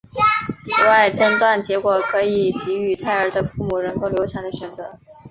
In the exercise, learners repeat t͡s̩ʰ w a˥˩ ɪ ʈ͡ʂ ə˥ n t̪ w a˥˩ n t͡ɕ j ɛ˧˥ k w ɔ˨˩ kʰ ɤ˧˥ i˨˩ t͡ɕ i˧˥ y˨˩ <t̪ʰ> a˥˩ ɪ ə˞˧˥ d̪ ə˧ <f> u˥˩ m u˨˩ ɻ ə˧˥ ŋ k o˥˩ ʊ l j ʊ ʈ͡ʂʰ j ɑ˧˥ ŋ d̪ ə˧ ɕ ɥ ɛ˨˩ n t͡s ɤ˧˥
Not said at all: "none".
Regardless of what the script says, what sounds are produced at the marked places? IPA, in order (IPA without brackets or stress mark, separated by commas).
t̪ʰ, f